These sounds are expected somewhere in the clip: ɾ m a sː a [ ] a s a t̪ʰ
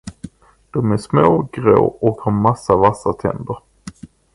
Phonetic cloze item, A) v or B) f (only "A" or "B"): A